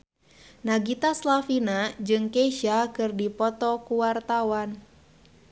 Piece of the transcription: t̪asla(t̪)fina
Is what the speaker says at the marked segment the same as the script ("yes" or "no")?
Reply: no